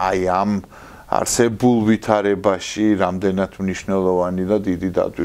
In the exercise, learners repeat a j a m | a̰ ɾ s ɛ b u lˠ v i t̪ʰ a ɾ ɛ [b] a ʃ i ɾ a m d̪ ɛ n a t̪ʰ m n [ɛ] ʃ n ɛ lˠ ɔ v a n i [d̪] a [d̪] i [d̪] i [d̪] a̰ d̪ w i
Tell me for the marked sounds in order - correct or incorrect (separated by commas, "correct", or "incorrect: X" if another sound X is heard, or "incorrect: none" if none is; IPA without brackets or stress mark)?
correct, incorrect: i, correct, correct, correct, correct